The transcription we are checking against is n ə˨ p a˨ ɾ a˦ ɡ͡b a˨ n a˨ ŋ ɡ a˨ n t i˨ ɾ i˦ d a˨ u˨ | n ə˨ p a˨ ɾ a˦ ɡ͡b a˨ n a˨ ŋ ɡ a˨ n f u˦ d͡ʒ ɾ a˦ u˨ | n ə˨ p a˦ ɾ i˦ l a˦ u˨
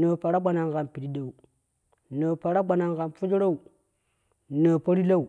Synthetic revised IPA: n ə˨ p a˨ ɾ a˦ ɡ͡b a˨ n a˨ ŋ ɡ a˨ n p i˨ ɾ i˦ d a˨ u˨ | n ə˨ p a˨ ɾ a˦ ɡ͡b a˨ n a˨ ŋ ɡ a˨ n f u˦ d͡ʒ ɾ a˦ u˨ | n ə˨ p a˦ ɾ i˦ l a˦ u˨